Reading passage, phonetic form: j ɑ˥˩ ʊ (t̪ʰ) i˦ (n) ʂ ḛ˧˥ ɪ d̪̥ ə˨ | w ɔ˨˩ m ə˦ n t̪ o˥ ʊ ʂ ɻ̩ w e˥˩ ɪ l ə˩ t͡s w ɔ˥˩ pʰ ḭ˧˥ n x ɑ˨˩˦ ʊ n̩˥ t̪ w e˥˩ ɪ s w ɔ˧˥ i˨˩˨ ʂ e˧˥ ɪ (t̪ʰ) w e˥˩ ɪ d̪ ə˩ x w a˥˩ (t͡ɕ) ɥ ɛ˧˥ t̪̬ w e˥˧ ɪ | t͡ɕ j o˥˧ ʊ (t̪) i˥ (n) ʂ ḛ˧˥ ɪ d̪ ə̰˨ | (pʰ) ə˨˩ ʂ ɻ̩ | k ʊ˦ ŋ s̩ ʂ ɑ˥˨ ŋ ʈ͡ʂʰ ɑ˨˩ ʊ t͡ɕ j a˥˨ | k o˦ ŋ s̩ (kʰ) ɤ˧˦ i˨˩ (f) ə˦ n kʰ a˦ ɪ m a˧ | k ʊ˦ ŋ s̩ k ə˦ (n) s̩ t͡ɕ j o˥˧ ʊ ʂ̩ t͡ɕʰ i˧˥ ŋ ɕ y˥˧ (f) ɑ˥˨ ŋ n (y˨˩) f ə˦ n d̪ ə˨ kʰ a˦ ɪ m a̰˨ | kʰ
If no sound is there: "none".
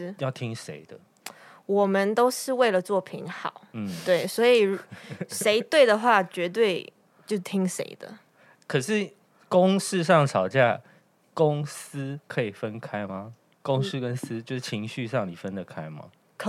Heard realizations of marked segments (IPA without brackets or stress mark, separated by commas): t̪ʰ, ŋ, t̪, t͡ɕ, t̪ʰ, ŋ, kʰ, kʰ, f, n, ʂ, i˨˩